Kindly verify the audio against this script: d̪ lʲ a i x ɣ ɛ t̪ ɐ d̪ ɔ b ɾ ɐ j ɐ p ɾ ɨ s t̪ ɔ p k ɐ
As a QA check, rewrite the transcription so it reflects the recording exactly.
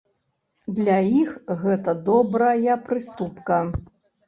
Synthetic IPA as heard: d̪ lʲ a i x ɣ ɛ t̪ ɐ d̪ ɔ b ɾ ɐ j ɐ p ɾ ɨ s t̪ u p k ɐ

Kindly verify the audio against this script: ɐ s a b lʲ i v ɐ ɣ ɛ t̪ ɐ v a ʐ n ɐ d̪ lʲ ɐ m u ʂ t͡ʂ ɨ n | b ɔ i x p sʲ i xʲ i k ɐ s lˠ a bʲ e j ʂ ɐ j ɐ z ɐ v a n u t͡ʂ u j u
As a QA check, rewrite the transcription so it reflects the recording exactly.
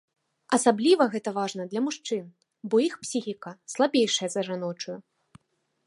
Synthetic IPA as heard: ɐ s a b lʲ i v ɐ ɣ ɛ t̪ ɐ v a ʐ n ɐ d̪ lʲ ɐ m u ʂ t͡ʂ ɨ n | b ɔ i x p sʲ i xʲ i k ɐ s lˠ a bʲ e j ʂ ɐ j ɐ z ɐ ʐ a n ɔ t͡ʂ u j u

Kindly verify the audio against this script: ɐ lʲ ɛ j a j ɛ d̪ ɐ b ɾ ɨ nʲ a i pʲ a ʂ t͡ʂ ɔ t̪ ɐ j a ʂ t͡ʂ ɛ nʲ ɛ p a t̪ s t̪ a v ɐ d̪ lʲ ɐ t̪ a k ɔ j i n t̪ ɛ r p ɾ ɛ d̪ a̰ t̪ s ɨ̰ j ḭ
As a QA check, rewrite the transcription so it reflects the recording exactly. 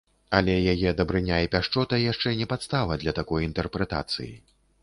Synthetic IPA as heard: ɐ lʲ ɛ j a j ɛ d̪ ɐ b ɾ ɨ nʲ a i pʲ a ʂ t͡ʂ ɔ t̪ ɐ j a ʂ t͡ʂ ɛ nʲ ɛ p a t̪ s t̪ a v ɐ d̪ lʲ ɐ t̪ a k ɔ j i n t̪ ɛ r p ɾ ɛ t̪ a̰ t̪ s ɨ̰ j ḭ

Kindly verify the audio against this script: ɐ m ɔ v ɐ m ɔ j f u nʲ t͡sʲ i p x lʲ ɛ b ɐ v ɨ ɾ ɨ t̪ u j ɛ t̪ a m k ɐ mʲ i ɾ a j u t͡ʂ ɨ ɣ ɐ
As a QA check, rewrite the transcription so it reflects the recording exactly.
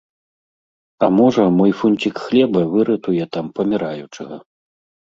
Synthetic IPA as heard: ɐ m ɔ ʐ ɐ m ɔ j f u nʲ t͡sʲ i k x lʲ ɛ b ɐ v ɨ ɾ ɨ t̪ u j ɛ t̪ a m p ɐ mʲ i ɾ a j u t͡ʂ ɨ ɣ ɐ

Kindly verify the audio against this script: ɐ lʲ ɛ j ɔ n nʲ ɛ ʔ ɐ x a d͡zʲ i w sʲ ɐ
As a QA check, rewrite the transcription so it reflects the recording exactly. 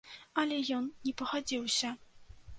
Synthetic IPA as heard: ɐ lʲ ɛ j ɔ n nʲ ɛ p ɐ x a d͡zʲ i w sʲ ɐ

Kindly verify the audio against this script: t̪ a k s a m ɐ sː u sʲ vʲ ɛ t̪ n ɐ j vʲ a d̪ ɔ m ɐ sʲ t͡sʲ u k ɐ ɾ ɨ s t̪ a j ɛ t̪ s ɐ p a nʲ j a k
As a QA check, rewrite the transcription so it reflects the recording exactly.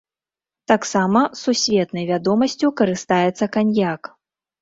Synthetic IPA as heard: t̪ a k s a m ɐ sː u sʲ vʲ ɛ t̪ n ɐ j vʲ a d̪ ɔ m ɐ sʲ t͡sʲ u k ɐ ɾ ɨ s t̪ a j ɛ t̪ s ɐ k a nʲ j a k

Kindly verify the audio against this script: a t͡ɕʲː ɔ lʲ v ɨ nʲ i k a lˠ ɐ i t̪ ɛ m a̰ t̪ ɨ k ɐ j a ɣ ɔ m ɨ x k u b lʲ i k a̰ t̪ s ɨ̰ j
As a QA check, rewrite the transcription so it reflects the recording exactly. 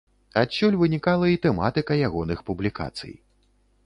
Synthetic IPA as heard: a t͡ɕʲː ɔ lʲ v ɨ nʲ i k a lˠ ɐ i t̪ ɛ m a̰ t̪ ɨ k ɐ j a ɣ ɔ n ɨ x p u b lʲ i k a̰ t̪ s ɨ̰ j

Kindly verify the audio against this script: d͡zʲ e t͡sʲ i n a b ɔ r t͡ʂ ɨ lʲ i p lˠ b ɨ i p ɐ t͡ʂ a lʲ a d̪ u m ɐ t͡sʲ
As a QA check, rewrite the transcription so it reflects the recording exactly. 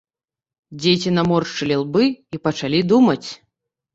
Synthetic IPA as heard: d͡zʲ e t͡sʲ i n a m ɔ r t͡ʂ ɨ lʲ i lˠ b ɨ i p ɐ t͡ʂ a lʲ i d̪ u m ɐ t͡sʲ

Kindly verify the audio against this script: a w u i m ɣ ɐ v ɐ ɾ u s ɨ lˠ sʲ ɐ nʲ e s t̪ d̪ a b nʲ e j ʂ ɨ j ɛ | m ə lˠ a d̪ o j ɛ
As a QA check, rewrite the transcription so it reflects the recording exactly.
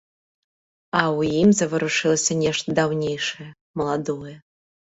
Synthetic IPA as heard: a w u i m z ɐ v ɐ ɾ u ʂ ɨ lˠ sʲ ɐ nʲ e ʂ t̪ d̪ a w nʲ e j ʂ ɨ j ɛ | m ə lˠ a d̪ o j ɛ

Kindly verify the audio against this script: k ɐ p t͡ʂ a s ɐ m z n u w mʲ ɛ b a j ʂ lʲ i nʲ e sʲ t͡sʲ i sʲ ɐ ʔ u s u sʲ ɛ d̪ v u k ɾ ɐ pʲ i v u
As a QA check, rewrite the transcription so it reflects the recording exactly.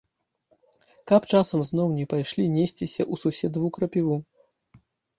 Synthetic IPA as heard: k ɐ p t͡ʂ a s ɐ m z n ɔ w nʲ ɛ p a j ʂ lʲ i nʲ e sʲ t͡sʲ i sʲ ɐ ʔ u s u sʲ ɛ d̪ v u k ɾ ɐ pʲ i v u

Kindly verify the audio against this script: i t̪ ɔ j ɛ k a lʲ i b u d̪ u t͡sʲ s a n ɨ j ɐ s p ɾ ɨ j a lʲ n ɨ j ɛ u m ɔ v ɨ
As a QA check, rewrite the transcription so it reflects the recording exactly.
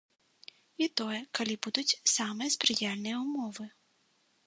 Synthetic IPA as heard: i t̪ ɔ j ɛ k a lʲ i b u d̪ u t͡sʲ s a m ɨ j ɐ s p ɾ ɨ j a lʲ n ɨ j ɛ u m ɔ v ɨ

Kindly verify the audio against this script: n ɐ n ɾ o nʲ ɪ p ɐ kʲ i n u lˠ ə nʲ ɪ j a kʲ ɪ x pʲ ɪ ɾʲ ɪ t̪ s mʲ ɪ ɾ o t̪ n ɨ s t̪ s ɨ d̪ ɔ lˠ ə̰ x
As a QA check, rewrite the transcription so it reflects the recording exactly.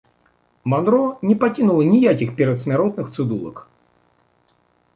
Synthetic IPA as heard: m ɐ n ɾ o nʲ ɪ p ɐ kʲ i n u lˠ ə nʲ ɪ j a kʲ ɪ x pʲ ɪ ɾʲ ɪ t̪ s mʲ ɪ ɾ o t̪ n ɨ x t̪ s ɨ d̪ u lˠ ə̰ k

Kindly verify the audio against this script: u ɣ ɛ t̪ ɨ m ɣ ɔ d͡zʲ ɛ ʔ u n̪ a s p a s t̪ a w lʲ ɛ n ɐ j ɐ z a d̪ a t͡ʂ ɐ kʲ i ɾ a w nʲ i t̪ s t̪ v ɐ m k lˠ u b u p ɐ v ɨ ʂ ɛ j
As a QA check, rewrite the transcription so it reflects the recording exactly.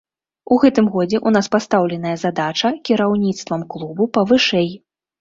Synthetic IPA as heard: u ɣ ɛ t̪ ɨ m ɣ ɔ d͡zʲ ɛ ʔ u n̪ a s p a s t̪ a w lʲ ɛ n ɐ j ɐ z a d̪ a t͡ʂ ɐ kʲ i ɾ a w nʲ i t̪ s t̪ v ɐ m k lˠ u b u p ɐ v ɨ ʂ ɛ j

